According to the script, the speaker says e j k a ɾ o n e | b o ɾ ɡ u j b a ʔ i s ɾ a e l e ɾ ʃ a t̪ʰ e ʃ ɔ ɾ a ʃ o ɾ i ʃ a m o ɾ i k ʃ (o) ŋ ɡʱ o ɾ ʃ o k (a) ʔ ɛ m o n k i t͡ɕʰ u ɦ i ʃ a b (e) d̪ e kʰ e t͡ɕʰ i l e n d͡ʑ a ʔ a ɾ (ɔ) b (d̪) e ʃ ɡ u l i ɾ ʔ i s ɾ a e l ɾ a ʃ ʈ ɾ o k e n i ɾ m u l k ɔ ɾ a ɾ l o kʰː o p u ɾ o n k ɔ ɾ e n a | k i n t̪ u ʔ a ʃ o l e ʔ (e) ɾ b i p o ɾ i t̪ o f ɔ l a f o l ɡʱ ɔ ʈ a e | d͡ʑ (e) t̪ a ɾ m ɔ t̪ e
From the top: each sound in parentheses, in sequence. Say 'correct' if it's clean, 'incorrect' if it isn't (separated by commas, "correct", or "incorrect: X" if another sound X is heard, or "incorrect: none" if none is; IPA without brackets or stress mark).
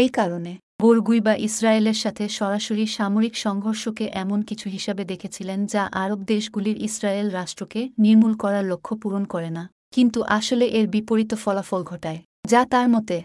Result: incorrect: ɔ, incorrect: e, correct, incorrect: o, correct, correct, incorrect: a